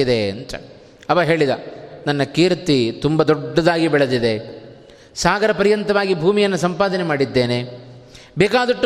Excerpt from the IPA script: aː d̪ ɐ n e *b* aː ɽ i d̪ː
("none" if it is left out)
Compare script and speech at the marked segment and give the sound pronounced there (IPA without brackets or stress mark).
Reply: m